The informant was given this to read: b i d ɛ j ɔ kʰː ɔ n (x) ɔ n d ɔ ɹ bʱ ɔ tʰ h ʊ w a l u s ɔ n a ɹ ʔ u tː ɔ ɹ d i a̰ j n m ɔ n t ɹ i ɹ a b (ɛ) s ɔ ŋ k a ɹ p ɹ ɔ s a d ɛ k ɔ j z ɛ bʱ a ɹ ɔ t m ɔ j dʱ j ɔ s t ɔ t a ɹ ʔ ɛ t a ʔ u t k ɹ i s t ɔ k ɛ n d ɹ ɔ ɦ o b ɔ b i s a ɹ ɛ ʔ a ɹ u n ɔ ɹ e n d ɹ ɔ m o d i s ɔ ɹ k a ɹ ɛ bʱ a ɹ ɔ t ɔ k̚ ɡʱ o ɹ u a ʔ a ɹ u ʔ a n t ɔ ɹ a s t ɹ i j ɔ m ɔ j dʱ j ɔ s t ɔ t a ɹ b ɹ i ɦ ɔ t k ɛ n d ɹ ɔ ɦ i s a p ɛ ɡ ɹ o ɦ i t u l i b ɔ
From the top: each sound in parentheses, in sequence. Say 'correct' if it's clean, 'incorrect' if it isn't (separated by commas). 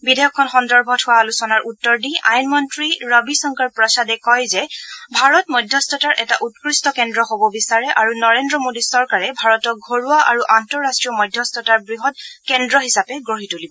correct, incorrect